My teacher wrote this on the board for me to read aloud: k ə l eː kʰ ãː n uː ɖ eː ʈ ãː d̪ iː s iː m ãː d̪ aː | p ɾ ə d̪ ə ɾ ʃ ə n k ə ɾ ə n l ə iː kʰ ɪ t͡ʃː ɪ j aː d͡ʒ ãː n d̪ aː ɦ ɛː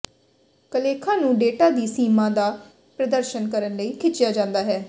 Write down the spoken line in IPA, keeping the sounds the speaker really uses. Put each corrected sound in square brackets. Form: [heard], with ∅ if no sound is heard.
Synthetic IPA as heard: k ə l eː kʰ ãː n [ũː] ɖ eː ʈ [aː] d̪ iː s iː m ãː d̪ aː | p ɾ ə d̪ ə ɾ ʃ ə n k ə ɾ ə n l ə iː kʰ ɪ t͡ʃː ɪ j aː d͡ʒ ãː n d̪ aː ɦ ɛː

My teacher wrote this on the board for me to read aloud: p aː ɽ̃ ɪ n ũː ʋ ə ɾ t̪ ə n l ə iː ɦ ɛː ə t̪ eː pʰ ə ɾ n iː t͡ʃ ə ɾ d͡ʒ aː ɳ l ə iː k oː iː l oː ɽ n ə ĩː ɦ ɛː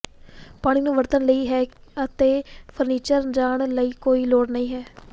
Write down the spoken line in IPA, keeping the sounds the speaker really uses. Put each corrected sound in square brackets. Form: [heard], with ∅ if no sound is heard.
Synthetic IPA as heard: p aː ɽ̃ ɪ n ũː ʋ ə ɾ t̪ ə n l ə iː ɦ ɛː ə t̪ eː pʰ ə ɾ n iː t͡ʃ ə ɾ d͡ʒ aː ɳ l ə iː k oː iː l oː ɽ n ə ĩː ɦ ɛː

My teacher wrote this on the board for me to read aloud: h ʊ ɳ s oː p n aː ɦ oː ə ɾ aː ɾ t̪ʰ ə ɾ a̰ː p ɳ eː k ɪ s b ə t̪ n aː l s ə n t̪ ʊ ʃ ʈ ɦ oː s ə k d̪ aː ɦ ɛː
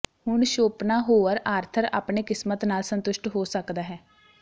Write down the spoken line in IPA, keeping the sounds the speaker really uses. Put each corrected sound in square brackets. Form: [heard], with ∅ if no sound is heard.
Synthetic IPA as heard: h ʊ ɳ [ʃ] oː p n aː ɦ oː ə ɾ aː ɾ t̪ʰ ə ɾ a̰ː p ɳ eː k ɪ s [m] ə t̪ n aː l s ə n t̪ ʊ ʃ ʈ ɦ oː s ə k d̪ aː ɦ ɛː

